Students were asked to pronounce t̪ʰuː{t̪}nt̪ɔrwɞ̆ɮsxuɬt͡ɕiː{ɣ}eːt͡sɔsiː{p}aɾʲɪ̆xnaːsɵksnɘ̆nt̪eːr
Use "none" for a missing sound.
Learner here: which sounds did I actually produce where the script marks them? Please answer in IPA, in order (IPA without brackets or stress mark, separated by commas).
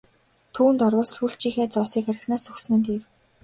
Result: none, x, k